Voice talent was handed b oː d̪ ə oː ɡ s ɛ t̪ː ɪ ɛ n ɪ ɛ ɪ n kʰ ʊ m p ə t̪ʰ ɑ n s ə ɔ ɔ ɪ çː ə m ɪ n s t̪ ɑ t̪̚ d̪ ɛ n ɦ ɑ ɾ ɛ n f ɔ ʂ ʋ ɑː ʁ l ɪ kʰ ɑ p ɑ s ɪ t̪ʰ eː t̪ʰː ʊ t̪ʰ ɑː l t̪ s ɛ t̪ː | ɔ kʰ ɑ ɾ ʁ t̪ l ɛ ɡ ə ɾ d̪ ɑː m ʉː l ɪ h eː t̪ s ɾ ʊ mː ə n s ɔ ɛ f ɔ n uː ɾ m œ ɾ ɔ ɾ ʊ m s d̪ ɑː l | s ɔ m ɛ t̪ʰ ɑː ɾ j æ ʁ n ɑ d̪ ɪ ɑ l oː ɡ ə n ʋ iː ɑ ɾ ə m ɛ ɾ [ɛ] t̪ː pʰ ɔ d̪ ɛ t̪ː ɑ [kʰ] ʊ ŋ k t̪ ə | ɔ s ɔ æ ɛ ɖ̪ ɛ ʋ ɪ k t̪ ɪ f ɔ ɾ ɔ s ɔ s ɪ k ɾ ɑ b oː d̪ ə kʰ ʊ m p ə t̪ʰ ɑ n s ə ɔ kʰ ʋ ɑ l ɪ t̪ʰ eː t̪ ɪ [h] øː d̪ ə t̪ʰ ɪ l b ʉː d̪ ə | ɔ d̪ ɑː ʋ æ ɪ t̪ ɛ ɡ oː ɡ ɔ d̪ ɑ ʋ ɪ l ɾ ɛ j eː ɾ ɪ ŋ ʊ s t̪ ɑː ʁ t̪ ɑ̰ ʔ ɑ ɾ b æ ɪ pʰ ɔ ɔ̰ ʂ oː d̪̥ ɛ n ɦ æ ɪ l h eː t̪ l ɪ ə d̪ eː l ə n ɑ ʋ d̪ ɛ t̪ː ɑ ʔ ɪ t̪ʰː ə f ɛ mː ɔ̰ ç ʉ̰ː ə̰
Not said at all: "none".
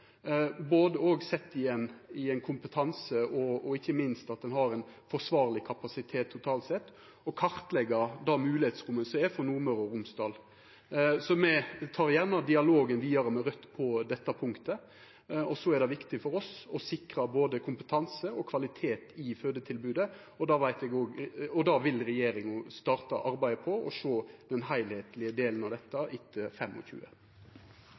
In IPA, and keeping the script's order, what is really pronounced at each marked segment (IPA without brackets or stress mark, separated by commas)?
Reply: œ, pʰ, f